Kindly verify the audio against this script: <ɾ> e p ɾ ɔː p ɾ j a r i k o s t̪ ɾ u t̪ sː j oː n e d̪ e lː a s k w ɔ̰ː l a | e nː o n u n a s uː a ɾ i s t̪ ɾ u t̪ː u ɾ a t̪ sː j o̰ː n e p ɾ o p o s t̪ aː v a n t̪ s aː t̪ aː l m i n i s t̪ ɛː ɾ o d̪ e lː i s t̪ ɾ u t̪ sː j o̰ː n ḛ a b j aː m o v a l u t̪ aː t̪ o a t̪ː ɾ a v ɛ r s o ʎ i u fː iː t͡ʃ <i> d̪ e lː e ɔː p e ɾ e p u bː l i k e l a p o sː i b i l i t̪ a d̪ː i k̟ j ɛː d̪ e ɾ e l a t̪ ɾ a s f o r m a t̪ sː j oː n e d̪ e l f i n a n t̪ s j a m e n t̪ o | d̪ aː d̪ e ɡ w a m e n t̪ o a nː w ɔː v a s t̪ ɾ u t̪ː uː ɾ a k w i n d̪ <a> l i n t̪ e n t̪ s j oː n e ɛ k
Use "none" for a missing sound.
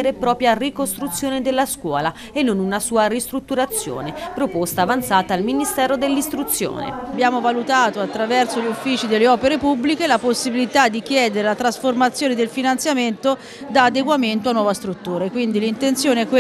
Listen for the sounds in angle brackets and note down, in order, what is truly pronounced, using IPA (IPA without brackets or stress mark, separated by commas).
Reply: ɾ, i, i